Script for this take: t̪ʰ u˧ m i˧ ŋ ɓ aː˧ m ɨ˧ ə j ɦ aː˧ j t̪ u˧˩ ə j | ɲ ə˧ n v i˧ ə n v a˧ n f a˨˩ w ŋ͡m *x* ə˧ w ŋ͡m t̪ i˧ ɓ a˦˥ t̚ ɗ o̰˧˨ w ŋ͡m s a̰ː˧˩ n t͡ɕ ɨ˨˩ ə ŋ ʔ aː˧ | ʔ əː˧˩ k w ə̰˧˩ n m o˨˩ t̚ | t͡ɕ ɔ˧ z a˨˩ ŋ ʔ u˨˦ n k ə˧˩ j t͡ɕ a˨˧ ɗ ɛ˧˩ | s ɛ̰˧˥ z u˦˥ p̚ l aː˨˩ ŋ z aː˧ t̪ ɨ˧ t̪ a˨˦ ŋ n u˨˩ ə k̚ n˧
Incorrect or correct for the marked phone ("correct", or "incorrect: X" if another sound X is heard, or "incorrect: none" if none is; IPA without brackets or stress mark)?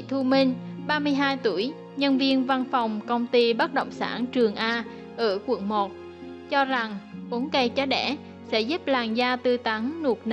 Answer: incorrect: k